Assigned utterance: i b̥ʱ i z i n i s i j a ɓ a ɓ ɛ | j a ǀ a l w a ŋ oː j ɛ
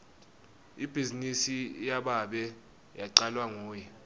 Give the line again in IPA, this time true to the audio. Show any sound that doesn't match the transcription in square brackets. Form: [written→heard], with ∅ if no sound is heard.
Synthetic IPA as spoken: i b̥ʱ i z i n i s i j a ɓ a ɓ ɛ | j a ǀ a l w a ŋ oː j ɛ

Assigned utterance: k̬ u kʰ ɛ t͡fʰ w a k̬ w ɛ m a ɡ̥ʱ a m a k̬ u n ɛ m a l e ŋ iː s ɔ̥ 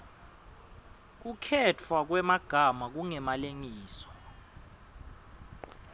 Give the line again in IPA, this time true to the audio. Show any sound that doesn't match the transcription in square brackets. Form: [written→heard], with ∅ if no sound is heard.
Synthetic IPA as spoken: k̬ u kʰ ɛ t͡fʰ w a k̬ w ɛ m a ɡ̥ʱ a m a k̬ u [n→ŋ] ɛ m a l e ŋ iː s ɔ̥

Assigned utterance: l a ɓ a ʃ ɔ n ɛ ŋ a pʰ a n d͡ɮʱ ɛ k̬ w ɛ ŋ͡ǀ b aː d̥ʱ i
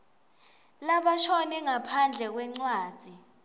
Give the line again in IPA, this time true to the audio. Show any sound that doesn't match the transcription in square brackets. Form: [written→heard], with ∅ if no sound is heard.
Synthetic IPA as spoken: l a ɓ a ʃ ɔ n ɛ ŋ a pʰ a n d͡ɮʱ ɛ k̬ w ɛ ŋ͡ǀ [b→w] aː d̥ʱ i

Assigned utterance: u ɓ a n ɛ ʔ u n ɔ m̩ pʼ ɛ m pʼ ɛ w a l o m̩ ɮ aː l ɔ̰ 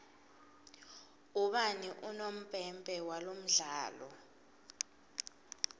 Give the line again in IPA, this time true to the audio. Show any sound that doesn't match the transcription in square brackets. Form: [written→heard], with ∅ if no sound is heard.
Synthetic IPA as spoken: u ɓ a n [ɛ→i] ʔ u n [ɔ→o] m̩ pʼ ɛ m pʼ ɛ w a l o m̩ ɮ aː l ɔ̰

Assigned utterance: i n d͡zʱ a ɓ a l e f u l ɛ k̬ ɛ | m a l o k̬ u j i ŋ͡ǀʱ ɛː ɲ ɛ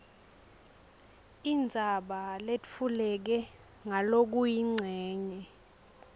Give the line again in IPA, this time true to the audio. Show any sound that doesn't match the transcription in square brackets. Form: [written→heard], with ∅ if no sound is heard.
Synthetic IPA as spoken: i n d͡zʱ a ɓ a l e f u l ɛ k̬ ɛ | [m→ŋ] a l o k̬ u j i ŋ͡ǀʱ ɛː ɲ ɛ

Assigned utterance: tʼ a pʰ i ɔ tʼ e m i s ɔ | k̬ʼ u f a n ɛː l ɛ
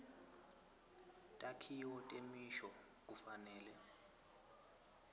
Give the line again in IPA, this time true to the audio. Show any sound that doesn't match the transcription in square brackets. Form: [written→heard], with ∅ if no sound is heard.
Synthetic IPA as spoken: tʼ a [pʰ→kʰ] i ɔ tʼ e m i [s→ʃ] ɔ | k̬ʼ u f a n ɛː l ɛ

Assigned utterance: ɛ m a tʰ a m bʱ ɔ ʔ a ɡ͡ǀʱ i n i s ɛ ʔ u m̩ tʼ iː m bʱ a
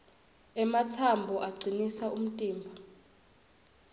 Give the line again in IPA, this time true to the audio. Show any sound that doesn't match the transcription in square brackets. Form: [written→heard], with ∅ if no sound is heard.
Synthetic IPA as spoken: ɛ m a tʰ a m bʱ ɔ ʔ a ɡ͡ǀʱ i n i s [ɛ→a] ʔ u m̩ tʼ iː m bʱ a

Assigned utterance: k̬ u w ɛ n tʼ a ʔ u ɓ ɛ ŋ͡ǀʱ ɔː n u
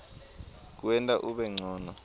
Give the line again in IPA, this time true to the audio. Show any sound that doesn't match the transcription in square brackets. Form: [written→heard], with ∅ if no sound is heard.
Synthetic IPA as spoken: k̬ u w ɛ n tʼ a ʔ u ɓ ɛ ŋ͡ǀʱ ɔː n [u→ɔ]

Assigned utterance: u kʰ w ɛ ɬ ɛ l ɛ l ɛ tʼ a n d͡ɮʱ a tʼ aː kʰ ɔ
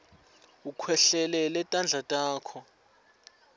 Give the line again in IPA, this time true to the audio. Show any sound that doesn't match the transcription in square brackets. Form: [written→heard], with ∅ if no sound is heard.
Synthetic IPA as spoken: u kʰ w ɛ ɬ ɛ l ɛ l ɛ tʼ a n d͡ɮʱ a tʼ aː kʰ ɔ

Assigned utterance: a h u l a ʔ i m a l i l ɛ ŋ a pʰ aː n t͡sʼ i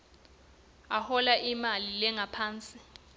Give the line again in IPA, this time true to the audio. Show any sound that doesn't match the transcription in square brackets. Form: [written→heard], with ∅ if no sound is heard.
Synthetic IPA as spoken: a h [u→ɔ] l a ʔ i m a l i l ɛ ŋ a pʰ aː n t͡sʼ i

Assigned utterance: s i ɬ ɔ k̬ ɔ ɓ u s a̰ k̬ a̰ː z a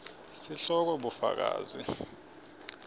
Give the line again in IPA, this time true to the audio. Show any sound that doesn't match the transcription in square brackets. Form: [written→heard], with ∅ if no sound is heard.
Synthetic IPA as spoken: s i ɬ ɔ k̬ ɔ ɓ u [s→f] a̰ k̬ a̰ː z [a→i]

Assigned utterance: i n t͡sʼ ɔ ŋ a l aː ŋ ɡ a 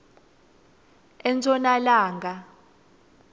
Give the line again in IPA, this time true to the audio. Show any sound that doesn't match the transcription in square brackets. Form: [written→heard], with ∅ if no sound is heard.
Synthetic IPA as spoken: [i→ɛ] n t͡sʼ ɔ [ŋ→n] a l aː ŋ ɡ a

